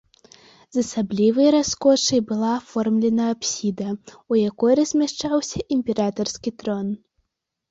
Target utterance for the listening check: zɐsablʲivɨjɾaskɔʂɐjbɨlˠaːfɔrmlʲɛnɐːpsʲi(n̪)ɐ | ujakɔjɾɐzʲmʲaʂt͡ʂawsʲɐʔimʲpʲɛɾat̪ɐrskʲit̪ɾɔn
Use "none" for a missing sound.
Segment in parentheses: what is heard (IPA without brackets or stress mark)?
d̪